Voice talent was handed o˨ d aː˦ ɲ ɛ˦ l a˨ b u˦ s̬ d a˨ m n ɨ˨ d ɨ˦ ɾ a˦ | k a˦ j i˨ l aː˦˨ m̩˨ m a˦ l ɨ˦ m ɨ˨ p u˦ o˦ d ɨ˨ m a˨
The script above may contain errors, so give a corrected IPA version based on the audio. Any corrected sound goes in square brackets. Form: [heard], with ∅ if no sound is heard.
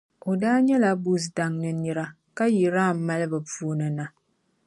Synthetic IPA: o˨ d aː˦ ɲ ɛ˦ l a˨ b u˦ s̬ d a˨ [ŋ] n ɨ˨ [n] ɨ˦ ɾ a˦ | k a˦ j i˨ [ɾ] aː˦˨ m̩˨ m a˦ l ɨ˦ [b] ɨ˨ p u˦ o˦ [n] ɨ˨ [n] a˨